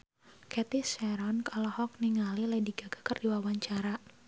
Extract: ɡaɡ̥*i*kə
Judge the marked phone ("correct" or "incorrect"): incorrect